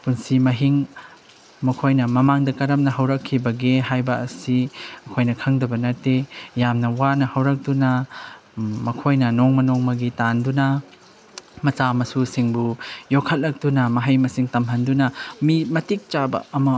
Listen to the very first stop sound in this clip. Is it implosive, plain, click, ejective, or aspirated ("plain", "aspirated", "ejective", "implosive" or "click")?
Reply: plain